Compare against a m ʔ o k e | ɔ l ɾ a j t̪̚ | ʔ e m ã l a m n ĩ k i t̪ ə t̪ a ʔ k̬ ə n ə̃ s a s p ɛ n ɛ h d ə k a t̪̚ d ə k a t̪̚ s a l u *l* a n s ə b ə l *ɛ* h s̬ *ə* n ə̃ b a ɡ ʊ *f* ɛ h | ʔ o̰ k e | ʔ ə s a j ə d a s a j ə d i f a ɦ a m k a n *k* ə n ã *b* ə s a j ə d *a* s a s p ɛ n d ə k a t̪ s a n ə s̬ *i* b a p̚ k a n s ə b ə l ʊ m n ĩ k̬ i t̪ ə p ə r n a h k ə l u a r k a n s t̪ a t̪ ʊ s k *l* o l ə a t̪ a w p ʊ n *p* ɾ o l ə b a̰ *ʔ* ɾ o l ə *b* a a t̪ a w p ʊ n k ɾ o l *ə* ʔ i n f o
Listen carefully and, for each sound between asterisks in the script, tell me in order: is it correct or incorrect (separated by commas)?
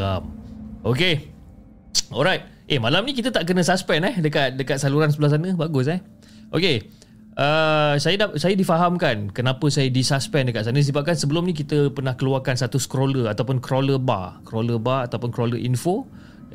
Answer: incorrect, incorrect, incorrect, incorrect, correct, incorrect, incorrect, correct, incorrect, incorrect, incorrect, correct, correct